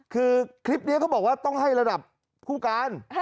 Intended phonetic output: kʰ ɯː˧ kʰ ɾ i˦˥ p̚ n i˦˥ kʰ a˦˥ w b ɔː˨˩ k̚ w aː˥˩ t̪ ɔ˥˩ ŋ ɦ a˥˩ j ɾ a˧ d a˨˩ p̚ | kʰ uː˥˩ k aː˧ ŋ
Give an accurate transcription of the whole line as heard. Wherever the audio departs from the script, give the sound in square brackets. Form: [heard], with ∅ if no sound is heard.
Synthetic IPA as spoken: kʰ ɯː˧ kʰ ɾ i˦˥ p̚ n i˦˥ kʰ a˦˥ w b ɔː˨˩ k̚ w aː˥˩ t̪ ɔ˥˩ ŋ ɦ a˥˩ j ɾ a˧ d a˨˩ p̚ | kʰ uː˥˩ k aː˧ [n]